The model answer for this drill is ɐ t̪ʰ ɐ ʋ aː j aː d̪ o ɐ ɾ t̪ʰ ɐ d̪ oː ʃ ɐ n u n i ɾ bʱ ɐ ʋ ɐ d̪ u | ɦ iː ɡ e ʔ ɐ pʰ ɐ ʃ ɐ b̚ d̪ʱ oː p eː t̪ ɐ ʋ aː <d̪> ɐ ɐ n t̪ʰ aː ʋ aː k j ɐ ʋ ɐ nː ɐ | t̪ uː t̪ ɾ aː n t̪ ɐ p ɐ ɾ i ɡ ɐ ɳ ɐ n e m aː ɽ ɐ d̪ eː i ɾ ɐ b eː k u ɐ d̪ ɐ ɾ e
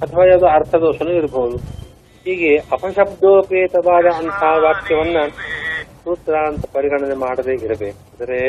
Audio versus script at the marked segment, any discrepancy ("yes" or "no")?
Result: no